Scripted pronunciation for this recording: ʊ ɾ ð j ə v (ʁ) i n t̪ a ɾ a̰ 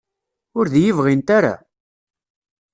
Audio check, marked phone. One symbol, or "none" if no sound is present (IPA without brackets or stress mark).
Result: ʁ